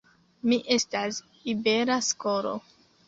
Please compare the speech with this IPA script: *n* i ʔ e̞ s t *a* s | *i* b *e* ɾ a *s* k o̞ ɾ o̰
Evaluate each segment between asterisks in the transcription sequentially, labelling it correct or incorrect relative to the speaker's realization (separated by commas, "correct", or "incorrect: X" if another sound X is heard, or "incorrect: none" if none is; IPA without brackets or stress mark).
incorrect: m, correct, correct, correct, correct